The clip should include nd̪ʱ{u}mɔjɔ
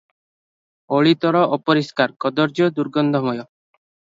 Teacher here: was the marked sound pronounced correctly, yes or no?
no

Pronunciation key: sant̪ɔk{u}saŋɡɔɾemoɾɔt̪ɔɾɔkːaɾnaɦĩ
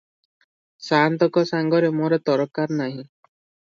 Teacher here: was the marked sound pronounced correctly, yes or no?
no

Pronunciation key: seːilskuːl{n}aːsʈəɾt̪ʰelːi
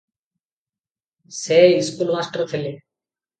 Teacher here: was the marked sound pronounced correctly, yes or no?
no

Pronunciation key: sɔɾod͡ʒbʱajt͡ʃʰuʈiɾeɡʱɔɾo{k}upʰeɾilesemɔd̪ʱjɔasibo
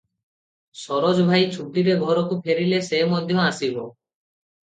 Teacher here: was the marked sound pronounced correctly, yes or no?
yes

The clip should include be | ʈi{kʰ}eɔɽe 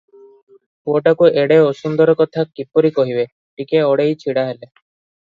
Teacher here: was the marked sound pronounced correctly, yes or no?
no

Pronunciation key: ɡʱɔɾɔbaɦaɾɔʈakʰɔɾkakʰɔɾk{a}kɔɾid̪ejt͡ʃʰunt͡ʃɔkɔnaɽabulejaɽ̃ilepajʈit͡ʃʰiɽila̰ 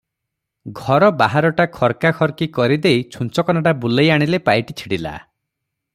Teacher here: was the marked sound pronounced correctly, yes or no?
no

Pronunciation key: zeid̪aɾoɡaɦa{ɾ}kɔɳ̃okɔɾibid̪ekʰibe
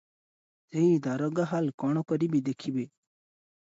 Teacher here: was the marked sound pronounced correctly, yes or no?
no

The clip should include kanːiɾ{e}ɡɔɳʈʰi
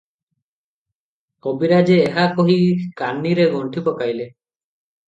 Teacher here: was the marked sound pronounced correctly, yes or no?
yes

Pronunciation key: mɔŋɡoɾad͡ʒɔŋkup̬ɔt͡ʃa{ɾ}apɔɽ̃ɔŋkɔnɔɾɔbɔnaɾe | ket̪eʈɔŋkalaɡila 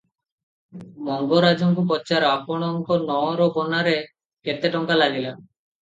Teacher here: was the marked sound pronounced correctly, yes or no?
yes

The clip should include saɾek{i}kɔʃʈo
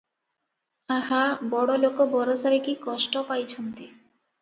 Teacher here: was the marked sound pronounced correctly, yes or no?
yes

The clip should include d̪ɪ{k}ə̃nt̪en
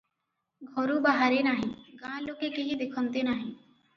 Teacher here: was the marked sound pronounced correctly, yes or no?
no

